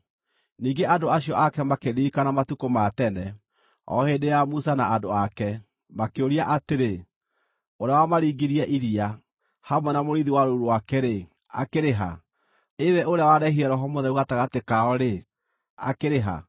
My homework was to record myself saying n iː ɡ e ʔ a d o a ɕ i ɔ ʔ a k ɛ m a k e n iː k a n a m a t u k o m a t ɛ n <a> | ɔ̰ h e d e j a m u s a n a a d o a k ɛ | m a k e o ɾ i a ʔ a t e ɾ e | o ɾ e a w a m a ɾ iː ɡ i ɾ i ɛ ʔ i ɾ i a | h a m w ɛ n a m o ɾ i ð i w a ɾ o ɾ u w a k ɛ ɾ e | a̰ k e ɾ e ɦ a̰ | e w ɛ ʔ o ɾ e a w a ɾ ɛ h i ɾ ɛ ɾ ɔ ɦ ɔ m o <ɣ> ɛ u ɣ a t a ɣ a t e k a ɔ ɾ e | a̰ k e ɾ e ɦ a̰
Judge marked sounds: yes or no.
no, no

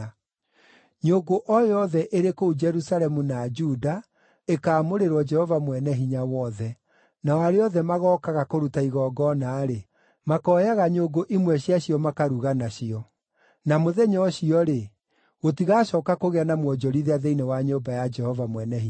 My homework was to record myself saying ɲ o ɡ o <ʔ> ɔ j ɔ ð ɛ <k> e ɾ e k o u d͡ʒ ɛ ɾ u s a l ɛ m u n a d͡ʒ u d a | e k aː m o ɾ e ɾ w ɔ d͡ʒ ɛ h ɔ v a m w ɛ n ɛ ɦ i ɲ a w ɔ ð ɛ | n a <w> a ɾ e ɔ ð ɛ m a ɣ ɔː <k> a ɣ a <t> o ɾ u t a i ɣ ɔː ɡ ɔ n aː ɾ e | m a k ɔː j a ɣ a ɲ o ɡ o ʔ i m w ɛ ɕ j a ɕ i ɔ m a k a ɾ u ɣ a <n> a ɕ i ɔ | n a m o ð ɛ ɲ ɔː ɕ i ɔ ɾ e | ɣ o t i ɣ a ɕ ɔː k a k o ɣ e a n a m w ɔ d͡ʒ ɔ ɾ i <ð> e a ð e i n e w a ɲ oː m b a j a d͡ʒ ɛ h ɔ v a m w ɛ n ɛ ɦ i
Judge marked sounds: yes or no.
yes, no, yes, yes, no, yes, yes

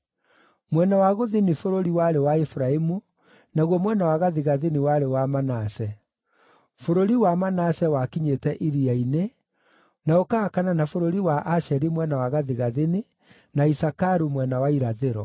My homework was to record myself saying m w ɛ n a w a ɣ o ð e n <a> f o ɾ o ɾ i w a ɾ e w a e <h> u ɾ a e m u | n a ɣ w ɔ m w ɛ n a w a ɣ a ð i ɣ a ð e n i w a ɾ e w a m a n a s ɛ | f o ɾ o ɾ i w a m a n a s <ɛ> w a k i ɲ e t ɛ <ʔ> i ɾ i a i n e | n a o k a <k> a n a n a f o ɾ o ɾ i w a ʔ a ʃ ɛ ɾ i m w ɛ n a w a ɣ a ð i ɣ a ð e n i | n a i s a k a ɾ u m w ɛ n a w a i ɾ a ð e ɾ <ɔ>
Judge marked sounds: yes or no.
no, no, yes, yes, yes, yes

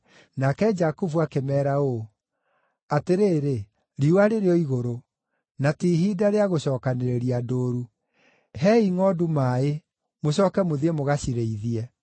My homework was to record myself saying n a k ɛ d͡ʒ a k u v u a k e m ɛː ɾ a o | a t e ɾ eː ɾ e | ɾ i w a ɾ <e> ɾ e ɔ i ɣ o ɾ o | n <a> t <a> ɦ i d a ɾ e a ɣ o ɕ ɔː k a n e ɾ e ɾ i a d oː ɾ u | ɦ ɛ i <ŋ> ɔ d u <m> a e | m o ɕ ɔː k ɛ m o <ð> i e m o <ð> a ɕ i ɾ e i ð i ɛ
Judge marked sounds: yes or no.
yes, yes, no, yes, yes, yes, no

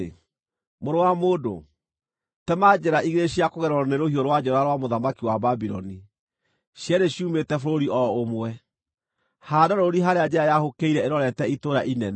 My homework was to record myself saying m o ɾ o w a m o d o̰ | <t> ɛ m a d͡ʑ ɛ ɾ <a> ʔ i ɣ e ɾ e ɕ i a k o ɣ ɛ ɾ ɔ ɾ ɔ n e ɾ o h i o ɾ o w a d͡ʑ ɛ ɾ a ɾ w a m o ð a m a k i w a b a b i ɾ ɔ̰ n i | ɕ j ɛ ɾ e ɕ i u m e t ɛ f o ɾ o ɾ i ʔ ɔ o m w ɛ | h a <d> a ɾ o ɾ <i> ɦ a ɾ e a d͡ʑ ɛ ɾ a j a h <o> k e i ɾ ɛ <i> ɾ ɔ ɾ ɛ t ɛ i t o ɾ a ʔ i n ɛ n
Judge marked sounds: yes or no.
yes, yes, yes, yes, yes, no

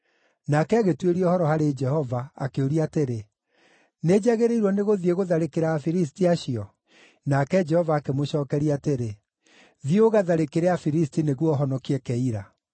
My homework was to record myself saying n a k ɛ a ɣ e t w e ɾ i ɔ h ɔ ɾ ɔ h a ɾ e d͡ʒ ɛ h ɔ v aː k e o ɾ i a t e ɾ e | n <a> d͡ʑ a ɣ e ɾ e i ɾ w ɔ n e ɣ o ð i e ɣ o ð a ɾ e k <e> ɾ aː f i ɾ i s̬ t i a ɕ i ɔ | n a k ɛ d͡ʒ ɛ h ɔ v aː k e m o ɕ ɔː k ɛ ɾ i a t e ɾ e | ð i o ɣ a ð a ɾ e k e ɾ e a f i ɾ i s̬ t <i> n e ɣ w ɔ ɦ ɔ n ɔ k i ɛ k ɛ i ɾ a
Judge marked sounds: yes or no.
no, yes, yes

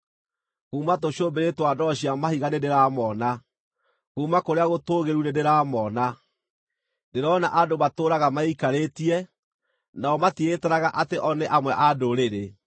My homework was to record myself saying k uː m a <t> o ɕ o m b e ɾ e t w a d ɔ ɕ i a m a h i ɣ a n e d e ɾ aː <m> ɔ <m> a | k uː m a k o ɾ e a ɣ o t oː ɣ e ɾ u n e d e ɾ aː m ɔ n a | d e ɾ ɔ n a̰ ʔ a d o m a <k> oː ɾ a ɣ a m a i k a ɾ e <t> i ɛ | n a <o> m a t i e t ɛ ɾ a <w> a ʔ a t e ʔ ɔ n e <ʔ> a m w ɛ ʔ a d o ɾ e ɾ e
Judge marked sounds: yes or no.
yes, yes, no, no, yes, no, no, yes

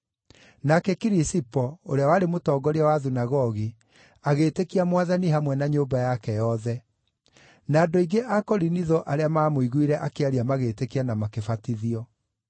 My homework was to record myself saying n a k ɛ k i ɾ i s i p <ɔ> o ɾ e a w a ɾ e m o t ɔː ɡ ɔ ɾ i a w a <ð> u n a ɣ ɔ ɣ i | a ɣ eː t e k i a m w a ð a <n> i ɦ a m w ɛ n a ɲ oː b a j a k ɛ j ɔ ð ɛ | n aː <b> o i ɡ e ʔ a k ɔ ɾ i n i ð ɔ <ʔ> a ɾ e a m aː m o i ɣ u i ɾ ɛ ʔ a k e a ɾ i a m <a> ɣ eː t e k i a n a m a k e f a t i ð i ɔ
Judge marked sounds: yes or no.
yes, yes, yes, no, yes, yes

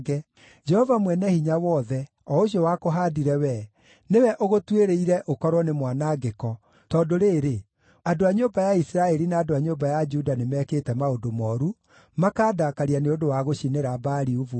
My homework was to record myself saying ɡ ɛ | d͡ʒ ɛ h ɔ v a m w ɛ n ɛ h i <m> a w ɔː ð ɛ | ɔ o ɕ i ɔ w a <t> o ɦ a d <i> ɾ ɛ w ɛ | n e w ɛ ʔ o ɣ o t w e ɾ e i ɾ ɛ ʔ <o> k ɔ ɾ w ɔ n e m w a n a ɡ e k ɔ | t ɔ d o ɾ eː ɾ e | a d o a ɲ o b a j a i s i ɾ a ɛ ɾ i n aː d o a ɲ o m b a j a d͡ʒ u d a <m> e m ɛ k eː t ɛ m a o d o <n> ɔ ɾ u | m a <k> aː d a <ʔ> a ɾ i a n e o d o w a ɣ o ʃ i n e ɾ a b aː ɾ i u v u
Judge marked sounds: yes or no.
no, no, yes, yes, no, no, yes, no

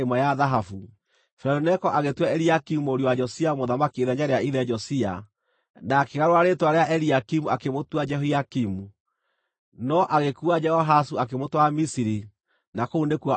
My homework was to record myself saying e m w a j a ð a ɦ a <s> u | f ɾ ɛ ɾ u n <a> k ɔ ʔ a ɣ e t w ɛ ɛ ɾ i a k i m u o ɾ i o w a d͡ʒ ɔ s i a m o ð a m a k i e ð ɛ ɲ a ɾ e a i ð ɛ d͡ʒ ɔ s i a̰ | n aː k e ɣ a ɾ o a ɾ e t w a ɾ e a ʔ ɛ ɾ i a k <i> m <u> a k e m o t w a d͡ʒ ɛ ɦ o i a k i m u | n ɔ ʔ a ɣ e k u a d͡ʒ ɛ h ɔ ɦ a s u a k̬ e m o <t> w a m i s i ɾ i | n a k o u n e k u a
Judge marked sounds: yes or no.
no, no, yes, yes, yes

